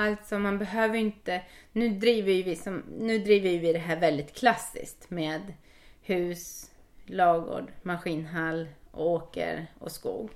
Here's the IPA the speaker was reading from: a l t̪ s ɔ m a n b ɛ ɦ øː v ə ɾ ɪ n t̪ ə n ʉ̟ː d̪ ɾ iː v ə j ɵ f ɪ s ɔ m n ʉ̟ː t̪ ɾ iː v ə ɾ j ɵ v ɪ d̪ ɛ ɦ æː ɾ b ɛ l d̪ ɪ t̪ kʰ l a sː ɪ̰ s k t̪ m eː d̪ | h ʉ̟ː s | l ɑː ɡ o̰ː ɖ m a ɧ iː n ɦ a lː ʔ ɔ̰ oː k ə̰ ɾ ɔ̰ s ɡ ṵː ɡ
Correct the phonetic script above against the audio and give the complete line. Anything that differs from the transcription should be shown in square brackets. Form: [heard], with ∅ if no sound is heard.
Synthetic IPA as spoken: a l t̪ s ɔ m a n b ɛ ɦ øː v ə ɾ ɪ n t̪ ə n ʉ̟ː d̪ ɾ iː v ə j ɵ [v] ɪ s ɔ m n ʉ̟ː [d̪] ɾ iː v ə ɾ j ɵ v ɪ d̪ ɛ ɦ æː ɾ [v] ɛ l d̪ ɪ t̪ kʰ l a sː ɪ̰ s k t̪ m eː d̪ | h ʉ̟ː s | l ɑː ɡ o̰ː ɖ m a ɧ iː n ɦ a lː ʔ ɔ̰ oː k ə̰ ɾ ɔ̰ s [k] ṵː ɡ